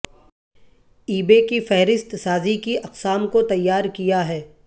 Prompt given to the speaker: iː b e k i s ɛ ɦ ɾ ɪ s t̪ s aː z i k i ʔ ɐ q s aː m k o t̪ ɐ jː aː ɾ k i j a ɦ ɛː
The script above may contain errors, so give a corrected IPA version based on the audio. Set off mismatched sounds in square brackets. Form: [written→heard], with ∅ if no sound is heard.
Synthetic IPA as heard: iː b e k i [s→f] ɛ ɦ ɾ ɪ s t̪ s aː z i k i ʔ ɐ q s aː m k o t̪ ɐ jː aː ɾ k i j a ɦ ɛː